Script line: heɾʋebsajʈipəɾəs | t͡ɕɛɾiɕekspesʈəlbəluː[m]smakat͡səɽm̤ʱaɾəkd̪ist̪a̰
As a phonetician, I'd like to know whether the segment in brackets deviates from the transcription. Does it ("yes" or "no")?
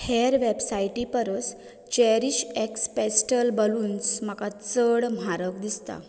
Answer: yes